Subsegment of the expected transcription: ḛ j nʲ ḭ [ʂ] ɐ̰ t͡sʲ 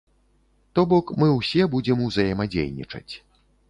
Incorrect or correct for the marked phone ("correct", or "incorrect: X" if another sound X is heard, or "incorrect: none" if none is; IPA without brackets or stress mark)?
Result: incorrect: t͡ʂ